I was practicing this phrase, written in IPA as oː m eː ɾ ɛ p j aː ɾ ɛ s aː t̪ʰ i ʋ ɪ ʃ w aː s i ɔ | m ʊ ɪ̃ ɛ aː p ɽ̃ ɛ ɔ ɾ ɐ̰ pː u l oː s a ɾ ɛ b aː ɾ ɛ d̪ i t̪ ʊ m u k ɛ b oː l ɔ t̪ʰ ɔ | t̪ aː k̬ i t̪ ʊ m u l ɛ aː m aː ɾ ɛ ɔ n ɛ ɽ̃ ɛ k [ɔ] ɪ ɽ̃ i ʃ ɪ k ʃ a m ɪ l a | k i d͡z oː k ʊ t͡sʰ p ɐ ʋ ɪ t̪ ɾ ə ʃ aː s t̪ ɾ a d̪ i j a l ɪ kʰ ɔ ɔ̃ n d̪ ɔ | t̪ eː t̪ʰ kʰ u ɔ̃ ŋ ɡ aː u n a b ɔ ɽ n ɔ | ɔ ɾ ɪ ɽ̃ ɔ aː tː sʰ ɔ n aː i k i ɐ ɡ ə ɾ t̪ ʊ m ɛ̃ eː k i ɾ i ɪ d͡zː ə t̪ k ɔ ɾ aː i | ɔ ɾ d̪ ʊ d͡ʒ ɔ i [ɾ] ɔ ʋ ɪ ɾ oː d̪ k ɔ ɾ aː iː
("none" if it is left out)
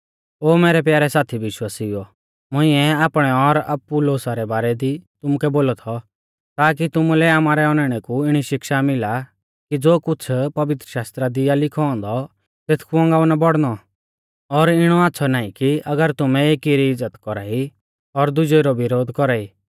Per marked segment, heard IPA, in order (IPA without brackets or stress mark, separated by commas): u, ɾ